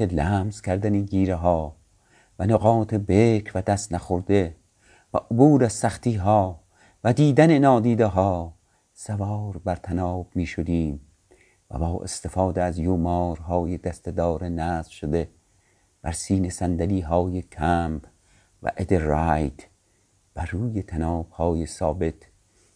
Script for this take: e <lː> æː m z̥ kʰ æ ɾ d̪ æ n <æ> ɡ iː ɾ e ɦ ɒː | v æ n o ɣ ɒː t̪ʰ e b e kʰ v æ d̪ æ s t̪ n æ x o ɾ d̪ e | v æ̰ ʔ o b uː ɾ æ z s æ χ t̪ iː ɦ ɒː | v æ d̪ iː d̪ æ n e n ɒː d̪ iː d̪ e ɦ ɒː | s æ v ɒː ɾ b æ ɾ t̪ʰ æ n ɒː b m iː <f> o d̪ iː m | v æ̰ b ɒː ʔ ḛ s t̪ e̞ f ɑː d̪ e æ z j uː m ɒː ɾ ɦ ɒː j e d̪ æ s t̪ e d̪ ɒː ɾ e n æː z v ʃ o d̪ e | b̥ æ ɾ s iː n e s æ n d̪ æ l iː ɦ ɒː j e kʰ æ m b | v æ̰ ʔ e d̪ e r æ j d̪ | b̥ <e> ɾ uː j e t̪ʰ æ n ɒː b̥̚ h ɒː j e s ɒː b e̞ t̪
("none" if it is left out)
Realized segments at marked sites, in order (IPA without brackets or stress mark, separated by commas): l, i, ʃ, æ